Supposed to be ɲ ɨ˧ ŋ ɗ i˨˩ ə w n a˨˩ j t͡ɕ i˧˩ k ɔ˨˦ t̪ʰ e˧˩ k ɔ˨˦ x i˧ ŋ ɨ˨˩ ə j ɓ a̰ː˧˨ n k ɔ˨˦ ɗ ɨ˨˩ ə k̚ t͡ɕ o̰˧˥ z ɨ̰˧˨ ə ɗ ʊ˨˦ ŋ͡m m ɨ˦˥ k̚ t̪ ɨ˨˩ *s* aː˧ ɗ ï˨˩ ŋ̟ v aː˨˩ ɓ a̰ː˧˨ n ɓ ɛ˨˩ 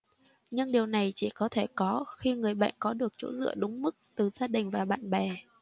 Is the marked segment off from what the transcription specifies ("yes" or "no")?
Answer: yes